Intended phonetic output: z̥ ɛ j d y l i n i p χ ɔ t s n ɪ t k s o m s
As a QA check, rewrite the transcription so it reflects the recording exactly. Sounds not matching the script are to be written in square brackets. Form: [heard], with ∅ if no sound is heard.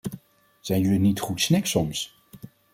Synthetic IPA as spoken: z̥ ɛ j [n] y l i n i [t] χ [u] t s n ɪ [∅] k s [ɔ] m s